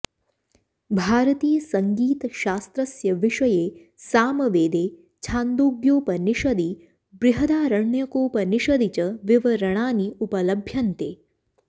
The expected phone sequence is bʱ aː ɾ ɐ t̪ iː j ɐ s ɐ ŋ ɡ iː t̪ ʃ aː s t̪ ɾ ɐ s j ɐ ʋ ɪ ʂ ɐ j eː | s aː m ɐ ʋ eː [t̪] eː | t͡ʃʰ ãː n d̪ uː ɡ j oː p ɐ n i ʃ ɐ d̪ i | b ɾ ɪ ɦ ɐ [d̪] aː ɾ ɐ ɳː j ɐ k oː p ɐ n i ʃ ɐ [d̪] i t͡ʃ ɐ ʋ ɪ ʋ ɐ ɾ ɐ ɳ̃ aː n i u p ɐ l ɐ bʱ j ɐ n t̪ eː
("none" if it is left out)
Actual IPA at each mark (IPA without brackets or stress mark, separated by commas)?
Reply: d̪, d̪, d̪